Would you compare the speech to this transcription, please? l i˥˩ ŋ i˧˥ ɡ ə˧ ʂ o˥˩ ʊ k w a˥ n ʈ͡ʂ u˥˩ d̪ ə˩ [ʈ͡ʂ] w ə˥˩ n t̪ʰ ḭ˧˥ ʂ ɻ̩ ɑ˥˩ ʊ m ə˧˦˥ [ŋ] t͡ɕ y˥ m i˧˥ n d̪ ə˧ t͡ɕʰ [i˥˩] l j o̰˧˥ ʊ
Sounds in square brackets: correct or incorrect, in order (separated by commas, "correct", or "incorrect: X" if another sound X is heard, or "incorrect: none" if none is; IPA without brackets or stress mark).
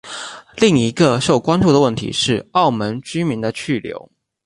incorrect: none, incorrect: n, incorrect: y˥˩